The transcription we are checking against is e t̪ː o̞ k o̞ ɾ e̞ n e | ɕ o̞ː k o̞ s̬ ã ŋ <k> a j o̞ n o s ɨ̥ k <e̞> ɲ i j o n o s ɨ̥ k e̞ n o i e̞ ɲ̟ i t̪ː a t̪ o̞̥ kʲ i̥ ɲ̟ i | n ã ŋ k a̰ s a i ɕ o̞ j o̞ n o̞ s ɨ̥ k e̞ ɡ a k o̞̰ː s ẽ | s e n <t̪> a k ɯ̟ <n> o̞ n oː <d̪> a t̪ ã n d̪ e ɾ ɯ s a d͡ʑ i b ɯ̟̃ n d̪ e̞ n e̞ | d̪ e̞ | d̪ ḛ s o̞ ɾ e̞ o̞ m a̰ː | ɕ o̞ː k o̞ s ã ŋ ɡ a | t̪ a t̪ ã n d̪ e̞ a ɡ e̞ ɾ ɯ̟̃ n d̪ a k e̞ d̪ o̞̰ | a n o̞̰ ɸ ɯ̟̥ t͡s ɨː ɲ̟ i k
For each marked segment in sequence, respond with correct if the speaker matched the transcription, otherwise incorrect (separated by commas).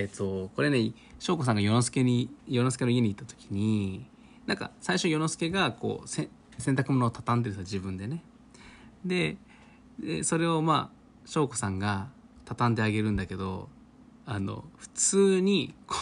incorrect, correct, correct, incorrect, incorrect